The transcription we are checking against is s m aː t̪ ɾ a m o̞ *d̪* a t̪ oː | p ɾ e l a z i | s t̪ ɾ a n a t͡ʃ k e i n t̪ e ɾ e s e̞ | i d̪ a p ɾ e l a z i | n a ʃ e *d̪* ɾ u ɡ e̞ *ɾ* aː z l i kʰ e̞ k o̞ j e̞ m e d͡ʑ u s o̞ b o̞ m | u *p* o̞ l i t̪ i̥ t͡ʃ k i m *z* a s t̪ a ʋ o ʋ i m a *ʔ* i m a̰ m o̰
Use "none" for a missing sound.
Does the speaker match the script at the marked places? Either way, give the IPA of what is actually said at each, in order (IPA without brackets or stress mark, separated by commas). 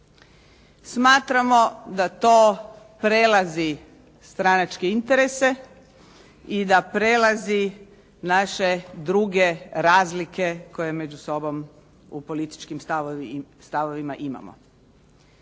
d̪, d̪, ɾ, p, s, ʔ